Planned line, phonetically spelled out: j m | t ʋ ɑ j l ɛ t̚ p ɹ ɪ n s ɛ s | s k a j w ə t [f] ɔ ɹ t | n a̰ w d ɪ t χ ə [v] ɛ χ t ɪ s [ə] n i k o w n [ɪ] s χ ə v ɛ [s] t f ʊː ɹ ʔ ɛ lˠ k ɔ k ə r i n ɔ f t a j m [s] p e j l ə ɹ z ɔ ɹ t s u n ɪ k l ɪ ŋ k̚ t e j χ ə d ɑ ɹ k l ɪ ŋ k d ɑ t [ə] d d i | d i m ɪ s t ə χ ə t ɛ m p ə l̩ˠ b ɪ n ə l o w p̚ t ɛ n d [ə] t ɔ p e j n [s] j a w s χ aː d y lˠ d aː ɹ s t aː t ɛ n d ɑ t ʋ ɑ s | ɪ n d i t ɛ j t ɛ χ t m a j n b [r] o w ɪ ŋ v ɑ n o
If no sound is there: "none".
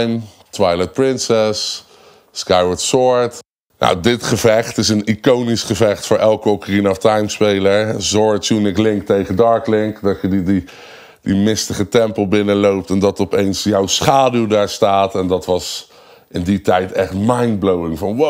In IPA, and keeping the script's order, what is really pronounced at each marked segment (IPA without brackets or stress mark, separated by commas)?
s, v, ə, i, χ, s, ə, ɑ, s, l